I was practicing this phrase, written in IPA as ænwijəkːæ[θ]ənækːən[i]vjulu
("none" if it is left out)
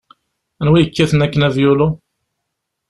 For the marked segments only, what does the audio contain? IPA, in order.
θ, æ

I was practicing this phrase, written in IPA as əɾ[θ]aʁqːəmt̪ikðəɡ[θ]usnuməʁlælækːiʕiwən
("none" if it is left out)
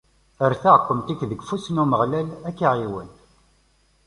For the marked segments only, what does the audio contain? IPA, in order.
θ, f

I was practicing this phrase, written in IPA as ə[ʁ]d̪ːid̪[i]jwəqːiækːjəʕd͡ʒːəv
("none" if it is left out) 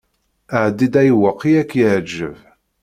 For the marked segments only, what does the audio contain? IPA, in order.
ʕ, æ

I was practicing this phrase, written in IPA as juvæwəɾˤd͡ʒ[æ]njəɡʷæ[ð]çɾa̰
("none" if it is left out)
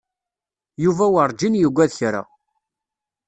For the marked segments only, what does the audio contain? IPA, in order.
i, ð

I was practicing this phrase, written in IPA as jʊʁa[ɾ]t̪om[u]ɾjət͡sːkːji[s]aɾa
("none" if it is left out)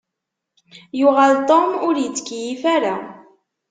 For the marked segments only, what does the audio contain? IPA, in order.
l, ʊ, f

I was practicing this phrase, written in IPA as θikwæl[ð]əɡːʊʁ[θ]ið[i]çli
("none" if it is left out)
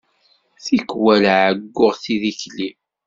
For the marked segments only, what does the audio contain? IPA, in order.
ʕ, θ, i

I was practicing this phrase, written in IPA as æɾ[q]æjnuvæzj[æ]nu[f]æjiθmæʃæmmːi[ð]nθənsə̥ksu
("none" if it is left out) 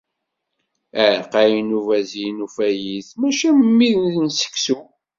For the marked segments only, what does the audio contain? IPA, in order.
q, i, f, ð

